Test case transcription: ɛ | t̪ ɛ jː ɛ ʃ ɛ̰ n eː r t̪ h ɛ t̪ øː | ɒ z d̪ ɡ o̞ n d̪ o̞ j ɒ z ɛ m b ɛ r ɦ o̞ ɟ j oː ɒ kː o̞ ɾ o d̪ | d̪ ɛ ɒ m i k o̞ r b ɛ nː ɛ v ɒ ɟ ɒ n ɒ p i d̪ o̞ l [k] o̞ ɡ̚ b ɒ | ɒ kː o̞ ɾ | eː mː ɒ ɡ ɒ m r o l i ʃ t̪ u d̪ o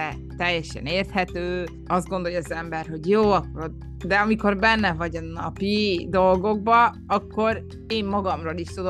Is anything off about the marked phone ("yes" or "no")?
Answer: yes